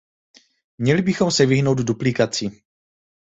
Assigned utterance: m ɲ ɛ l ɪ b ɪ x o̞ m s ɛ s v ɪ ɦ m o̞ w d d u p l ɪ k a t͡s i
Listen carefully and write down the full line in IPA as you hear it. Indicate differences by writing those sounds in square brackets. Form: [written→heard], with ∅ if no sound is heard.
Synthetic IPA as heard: m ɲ ɛ l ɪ b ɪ x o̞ m s ɛ [s→∅] v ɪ ɦ [m→n] o̞ w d d u p l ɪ k a t͡s i